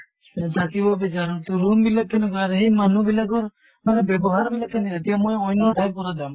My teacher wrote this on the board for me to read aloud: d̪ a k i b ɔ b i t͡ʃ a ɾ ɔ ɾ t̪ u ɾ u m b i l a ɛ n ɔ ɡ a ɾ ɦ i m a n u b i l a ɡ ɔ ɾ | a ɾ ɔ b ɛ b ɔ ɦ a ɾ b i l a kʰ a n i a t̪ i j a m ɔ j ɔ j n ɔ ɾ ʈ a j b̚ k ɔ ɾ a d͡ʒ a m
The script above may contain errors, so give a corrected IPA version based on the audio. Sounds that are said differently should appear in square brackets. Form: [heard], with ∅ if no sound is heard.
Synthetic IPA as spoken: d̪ a k i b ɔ b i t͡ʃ a ɾ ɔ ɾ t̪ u ɾ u m b i l a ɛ n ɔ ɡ a ɾ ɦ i m a n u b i l a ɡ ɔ ɾ | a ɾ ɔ b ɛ b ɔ ɦ a ɾ b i l a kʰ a n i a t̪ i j a m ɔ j ɔ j n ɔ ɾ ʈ a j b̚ k ɔ ɾ a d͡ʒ a m